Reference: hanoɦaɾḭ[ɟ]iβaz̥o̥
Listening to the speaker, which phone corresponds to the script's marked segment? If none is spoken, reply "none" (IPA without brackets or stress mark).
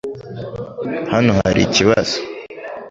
c